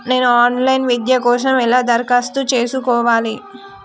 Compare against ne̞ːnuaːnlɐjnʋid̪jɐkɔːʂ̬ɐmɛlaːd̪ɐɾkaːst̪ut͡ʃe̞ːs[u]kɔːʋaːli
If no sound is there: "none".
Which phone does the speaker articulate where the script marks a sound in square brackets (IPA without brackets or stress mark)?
u